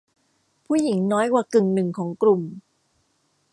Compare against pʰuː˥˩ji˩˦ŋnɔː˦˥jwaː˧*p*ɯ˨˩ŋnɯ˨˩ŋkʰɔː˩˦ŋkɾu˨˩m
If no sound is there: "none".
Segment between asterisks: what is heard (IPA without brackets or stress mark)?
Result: k